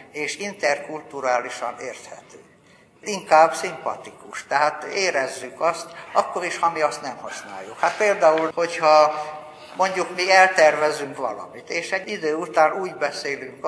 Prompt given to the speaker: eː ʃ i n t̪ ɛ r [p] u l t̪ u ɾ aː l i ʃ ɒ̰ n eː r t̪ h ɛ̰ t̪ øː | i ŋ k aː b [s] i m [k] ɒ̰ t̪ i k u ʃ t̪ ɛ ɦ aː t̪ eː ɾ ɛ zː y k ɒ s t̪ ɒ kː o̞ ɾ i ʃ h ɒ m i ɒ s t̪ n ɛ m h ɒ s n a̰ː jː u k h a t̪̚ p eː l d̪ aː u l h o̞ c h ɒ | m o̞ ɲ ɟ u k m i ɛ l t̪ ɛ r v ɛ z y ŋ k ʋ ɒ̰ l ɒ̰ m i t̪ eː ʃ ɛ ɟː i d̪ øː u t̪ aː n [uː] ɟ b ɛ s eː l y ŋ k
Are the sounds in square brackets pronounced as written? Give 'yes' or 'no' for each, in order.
no, yes, no, yes

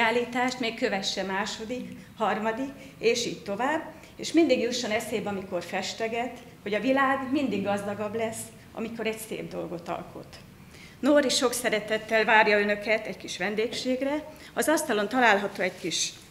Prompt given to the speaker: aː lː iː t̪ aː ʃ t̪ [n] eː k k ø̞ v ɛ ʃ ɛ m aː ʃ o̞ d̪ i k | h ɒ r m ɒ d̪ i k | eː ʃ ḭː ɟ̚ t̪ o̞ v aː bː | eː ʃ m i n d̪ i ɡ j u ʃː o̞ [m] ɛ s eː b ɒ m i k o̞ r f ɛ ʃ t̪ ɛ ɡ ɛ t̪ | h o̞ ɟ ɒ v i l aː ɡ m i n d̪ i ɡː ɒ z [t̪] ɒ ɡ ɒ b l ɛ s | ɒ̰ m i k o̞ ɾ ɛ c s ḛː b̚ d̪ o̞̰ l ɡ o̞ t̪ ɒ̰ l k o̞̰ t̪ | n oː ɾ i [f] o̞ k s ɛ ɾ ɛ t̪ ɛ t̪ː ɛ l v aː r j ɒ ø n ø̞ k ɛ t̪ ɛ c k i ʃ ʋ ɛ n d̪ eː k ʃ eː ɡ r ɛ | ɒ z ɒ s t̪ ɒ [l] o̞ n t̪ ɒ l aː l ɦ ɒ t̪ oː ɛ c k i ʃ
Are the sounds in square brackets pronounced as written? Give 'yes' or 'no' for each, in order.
no, no, no, no, yes

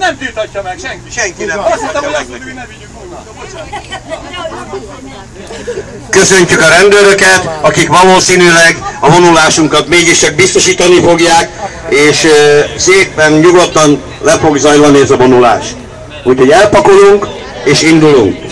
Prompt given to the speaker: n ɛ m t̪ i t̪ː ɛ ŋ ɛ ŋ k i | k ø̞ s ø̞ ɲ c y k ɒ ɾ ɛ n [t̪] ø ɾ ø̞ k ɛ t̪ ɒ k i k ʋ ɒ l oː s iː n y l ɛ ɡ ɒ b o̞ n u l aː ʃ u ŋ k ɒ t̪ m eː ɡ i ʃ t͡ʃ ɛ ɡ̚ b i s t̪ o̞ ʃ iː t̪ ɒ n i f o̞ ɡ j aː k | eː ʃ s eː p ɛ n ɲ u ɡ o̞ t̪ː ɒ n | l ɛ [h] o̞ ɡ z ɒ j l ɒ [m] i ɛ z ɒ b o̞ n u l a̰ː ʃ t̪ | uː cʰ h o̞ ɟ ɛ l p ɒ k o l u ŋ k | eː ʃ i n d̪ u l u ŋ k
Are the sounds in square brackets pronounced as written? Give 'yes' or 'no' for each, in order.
no, no, no

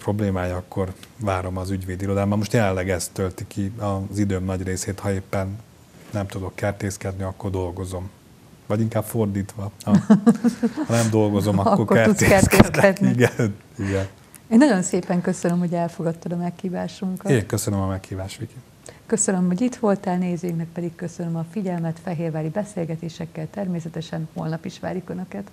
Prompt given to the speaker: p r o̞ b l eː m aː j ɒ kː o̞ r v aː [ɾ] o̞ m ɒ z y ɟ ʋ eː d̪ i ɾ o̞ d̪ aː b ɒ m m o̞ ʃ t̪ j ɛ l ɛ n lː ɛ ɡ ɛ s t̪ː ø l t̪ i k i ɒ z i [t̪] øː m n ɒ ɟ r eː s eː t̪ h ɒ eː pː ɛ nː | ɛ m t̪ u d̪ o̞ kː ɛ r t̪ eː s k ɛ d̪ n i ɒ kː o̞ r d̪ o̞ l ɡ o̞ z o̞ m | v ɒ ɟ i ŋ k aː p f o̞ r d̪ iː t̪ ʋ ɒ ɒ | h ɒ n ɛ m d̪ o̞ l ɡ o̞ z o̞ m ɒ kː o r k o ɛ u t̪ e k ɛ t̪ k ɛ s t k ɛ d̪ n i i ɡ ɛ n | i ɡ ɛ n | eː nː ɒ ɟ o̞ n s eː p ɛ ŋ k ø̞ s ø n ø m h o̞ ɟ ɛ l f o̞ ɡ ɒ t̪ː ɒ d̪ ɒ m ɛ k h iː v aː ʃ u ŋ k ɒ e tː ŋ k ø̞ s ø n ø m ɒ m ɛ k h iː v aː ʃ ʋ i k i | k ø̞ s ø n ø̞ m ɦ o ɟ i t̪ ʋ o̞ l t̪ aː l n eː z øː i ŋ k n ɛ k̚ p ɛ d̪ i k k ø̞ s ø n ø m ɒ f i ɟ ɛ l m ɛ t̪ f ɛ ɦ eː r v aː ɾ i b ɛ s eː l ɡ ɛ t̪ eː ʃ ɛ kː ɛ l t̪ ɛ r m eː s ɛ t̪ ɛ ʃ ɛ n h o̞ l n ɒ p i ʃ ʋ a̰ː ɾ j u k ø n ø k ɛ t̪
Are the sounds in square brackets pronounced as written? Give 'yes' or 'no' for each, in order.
yes, no

